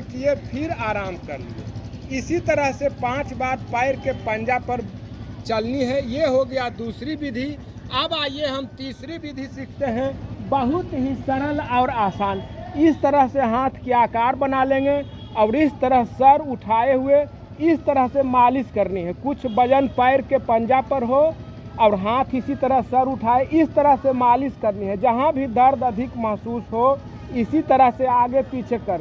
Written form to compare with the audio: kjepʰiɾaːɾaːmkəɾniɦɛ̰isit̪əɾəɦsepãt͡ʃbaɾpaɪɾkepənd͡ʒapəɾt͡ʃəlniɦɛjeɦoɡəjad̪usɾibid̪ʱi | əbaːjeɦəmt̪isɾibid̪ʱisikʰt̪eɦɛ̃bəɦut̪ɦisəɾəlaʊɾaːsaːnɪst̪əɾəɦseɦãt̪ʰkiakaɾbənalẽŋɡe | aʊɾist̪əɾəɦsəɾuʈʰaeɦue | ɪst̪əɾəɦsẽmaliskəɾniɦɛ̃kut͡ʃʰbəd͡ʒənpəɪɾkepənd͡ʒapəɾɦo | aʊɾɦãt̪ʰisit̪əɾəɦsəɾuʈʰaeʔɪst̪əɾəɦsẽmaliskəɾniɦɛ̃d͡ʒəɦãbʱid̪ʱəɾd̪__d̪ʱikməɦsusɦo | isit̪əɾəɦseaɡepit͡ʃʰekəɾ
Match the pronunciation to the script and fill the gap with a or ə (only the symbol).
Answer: ə